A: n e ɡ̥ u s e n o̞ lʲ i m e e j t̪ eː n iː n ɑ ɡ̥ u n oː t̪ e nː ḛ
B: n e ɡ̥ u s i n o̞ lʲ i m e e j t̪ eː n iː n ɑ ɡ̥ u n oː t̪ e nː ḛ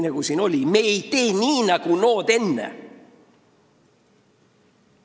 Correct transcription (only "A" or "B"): B